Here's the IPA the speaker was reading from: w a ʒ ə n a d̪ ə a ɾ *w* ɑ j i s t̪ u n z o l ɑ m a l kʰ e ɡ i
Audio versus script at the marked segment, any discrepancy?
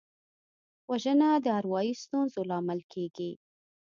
no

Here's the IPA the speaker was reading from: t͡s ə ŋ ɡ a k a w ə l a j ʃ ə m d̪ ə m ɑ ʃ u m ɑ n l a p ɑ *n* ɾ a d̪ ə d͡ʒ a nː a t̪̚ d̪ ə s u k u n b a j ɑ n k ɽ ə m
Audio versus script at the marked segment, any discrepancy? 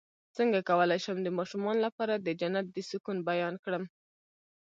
yes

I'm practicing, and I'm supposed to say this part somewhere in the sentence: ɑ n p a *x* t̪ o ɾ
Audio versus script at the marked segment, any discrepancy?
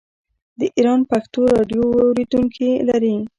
no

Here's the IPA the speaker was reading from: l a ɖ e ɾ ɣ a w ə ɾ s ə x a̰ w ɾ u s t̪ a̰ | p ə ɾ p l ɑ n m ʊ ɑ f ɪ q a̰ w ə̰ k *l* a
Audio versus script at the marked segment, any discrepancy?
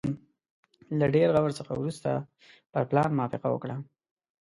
yes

